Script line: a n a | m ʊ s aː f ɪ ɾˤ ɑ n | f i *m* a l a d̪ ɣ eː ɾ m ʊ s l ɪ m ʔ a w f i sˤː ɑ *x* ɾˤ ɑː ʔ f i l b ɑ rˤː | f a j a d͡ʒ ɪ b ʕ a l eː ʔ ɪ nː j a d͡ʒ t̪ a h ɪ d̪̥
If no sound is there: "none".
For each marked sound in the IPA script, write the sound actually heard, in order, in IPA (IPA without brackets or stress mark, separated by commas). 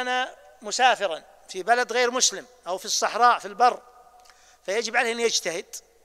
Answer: b, ħ